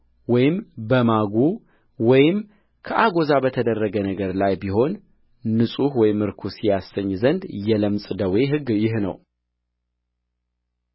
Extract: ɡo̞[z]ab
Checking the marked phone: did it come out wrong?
no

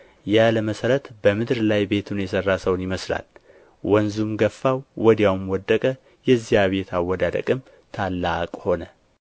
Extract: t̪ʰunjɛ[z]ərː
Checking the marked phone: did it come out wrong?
yes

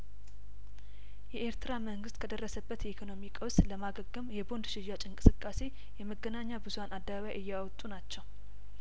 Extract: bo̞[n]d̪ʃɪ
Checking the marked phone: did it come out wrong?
no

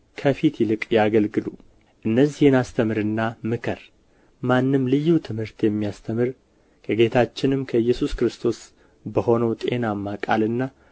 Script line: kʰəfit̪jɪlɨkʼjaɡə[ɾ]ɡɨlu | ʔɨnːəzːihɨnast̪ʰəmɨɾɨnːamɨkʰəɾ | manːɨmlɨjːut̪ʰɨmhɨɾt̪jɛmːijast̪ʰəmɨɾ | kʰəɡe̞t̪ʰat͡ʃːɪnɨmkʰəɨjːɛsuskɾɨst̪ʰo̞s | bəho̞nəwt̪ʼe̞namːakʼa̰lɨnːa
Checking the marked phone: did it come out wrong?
yes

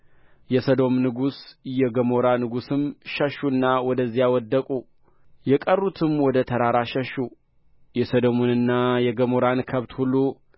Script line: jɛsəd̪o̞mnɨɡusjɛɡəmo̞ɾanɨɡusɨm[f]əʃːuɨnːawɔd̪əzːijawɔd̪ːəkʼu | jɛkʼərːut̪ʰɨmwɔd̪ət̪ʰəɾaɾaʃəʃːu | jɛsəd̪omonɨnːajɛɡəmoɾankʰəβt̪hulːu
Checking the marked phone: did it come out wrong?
yes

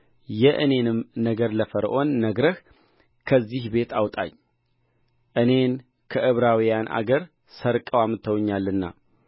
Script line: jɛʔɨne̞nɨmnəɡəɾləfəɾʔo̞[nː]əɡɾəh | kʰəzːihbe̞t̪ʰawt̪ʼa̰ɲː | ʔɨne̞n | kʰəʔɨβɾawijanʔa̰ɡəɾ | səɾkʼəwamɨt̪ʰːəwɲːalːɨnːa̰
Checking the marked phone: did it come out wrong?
no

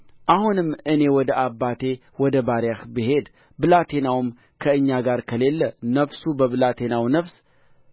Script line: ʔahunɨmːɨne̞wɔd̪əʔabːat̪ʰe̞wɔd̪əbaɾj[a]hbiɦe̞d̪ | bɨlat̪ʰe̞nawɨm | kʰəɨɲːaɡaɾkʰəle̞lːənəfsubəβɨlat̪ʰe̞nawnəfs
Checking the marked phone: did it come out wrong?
no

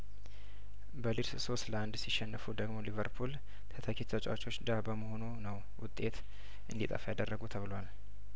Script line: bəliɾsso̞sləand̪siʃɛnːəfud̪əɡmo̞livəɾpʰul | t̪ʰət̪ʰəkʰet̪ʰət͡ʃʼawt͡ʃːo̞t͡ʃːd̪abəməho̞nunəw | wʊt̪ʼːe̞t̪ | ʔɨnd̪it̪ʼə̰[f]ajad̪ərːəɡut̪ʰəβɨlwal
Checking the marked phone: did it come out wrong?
no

